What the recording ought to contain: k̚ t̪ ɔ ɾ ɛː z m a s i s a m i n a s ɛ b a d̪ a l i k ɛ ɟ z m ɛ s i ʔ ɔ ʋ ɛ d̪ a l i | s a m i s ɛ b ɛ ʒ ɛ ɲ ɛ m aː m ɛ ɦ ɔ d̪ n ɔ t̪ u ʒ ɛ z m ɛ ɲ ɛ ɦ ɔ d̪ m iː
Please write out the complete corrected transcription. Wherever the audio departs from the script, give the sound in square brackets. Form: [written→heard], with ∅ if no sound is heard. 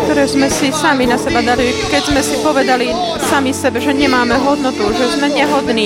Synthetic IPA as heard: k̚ t̪ ɔ ɾ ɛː z m [a→ɛ] s i s a m i n a s ɛ b a d̪ a l i k ɛ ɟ z m ɛ s i [ʔ→p] ɔ ʋ ɛ d̪ a l i | s a m i s ɛ b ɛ ʒ ɛ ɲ ɛ m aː m ɛ ɦ ɔ d̪ n ɔ t̪ u ʒ ɛ z m ɛ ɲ ɛ ɦ ɔ d̪ [m→n] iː